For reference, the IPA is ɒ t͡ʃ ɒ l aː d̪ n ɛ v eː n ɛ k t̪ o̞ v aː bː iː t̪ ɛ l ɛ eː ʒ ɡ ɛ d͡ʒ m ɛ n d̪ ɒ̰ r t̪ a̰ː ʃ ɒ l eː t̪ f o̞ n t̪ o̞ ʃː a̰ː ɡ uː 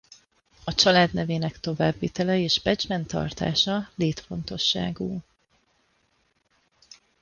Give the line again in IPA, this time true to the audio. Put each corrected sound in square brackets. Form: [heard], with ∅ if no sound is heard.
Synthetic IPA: ɒ t͡ʃ ɒ l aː d̪ n ɛ v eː n ɛ k t̪ o̞ v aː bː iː t̪ ɛ l ɛ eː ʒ [b] ɛ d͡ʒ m ɛ n [t̪] ɒ̰ r t̪ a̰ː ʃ ɒ l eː t̪ f o̞ n t̪ o̞ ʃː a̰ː ɡ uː

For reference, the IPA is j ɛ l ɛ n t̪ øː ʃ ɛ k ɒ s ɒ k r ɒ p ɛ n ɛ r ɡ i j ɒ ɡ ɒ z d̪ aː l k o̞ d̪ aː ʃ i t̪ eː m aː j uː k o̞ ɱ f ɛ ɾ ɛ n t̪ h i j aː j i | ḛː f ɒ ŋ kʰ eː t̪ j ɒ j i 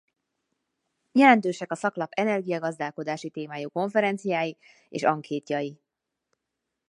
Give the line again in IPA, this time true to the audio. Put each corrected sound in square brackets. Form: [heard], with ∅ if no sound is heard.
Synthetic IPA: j ɛ l ɛ n t̪ øː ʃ ɛ k ɒ s ɒ k [l] ɒ p ɛ n ɛ r ɡ i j ɒ ɡ ɒ z d̪ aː l k o̞ d̪ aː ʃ i t̪ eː m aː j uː k o̞ ɱ f ɛ ɾ ɛ n t̪ [s] i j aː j i | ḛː [ʃ] ɒ ŋ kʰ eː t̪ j ɒ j i

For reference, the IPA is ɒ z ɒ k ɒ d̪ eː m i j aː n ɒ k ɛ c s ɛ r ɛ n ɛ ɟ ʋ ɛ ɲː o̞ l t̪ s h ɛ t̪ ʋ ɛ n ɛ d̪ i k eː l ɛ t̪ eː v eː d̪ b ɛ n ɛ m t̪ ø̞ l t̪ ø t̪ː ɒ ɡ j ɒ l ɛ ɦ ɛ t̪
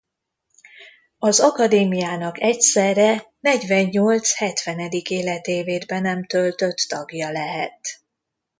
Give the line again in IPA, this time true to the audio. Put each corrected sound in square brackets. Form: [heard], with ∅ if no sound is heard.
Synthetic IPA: ɒ z ɒ k ɒ d̪ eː m i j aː n ɒ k ɛ c s ɛ r ɛ n ɛ ɟ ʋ ɛ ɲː o̞ l t̪ s h ɛ t̪ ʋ ɛ n ɛ d̪ i k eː l ɛ t̪ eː v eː d̪ b ɛ n ɛ m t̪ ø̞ l t̪ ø t̪ː ɒ ɡ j ɒ l ɛ ɦ ɛ t̪

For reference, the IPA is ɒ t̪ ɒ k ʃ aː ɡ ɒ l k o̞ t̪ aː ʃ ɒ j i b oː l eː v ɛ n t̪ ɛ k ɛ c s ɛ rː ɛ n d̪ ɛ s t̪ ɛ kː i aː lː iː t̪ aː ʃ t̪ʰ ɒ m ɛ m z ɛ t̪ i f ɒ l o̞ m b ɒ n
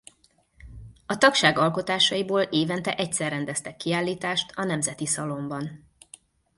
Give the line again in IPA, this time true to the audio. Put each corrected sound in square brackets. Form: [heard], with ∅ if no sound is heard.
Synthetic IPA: ɒ t̪ ɒ k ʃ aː ɡ ɒ l k o̞ t̪ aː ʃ ɒ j i b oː l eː v ɛ n t̪ ɛ [ʔ] ɛ c s ɛ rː ɛ n d̪ ɛ s t̪ ɛ kː i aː lː iː t̪ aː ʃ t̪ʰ ɒ [n] ɛ m z ɛ t̪ i [s] ɒ l o̞ m b ɒ n

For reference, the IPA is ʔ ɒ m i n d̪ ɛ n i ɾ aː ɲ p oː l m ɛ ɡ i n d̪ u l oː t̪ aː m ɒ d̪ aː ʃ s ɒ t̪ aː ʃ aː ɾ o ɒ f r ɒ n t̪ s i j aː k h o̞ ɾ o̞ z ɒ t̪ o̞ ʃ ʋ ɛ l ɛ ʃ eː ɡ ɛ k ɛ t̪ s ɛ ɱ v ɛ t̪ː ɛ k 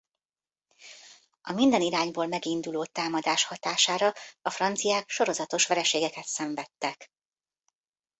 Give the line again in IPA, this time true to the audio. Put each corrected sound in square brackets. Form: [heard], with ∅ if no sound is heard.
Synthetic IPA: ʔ ɒ m i n d̪ ɛ n i ɾ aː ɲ [b] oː l m ɛ ɡ i n d̪ u l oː t̪ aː m ɒ d̪ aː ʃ [h] ɒ t̪ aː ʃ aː ɾ [ɒ] ɒ f r ɒ n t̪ s i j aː k [ʃ] o̞ ɾ o̞ z ɒ t̪ o̞ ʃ ʋ ɛ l ɛ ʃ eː ɡ ɛ k ɛ t̪ s ɛ ɱ v ɛ t̪ː ɛ k

